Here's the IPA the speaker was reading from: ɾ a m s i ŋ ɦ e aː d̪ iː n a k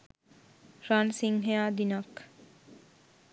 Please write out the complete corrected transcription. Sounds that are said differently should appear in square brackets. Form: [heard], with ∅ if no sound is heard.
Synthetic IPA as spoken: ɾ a [n] s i ŋ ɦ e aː d̪ [i] n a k